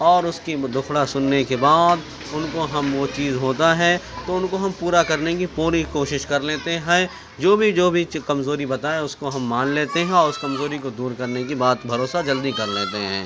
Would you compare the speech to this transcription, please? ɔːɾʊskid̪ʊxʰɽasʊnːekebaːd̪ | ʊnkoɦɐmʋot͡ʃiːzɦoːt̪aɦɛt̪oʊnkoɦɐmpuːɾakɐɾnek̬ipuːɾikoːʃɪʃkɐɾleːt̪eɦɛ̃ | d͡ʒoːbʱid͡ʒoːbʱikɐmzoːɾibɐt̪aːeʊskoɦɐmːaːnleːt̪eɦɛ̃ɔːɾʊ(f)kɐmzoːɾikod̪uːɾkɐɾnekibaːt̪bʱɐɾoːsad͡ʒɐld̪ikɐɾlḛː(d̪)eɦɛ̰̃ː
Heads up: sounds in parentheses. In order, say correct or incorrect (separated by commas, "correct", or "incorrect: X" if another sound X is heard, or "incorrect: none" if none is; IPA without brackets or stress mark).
incorrect: s, incorrect: t̪